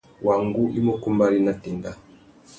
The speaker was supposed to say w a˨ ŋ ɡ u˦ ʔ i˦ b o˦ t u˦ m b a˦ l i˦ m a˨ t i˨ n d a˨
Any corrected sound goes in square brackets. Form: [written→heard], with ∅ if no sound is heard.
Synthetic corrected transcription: w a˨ ŋ ɡ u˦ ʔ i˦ [b→m] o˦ [t→k] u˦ m b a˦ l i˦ [m→n] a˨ t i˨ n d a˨